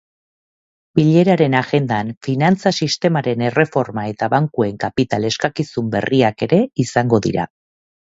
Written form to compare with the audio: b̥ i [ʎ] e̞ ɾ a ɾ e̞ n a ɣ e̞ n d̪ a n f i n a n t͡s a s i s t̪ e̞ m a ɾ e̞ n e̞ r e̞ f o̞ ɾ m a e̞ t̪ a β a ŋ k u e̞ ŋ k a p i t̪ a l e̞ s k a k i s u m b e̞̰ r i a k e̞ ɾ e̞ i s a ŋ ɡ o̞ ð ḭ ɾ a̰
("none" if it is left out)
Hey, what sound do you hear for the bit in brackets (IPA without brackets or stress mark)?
ʎ